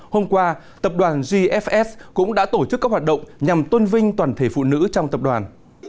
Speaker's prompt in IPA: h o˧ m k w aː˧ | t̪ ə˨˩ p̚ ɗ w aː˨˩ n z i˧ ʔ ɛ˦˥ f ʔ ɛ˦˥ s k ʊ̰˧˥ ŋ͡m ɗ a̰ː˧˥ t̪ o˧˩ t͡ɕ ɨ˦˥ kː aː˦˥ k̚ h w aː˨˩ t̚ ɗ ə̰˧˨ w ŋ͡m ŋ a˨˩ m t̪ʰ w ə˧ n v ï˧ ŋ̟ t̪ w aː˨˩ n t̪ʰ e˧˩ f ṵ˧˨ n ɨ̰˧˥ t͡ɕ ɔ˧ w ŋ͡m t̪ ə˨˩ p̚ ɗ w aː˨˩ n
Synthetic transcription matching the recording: h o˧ m k w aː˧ | t̪ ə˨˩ p̚ ɗ w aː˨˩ n z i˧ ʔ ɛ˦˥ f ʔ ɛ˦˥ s k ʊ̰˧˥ ŋ͡m ɗ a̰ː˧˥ t̪ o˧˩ t͡ɕ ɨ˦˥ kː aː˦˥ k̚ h w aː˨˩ t̚ ɗ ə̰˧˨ w ŋ͡m ɲ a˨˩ m t̪ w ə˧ n v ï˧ ŋ̟ t̪ w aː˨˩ n t̪ʰ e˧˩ f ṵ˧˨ n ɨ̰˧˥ t͡ɕ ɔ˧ w ŋ͡m t̪ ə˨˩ p̚ ɗ w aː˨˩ n